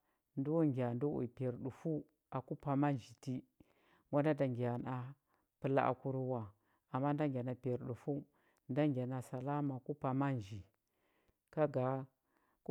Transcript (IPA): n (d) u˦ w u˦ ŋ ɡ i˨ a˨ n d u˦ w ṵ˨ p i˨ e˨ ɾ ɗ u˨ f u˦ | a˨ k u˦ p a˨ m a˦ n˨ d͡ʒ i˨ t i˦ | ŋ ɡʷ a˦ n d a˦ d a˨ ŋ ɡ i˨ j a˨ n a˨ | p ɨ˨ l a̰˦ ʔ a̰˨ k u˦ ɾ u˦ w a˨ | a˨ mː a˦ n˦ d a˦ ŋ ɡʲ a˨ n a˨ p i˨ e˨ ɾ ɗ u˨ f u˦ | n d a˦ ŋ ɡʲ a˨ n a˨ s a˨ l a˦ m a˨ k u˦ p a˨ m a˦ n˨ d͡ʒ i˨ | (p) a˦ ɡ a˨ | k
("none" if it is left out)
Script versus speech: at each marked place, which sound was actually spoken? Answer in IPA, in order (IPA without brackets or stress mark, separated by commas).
d, k